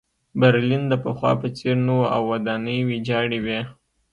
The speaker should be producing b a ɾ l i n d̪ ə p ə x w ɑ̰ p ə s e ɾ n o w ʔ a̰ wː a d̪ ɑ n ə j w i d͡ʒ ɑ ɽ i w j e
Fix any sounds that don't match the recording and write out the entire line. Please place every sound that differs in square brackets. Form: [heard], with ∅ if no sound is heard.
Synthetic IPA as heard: b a ɾ l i n d̪ ə p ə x w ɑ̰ p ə [t͡s] e ɾ n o w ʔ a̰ wː a d̪ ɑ n ə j w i d͡ʒ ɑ ɽ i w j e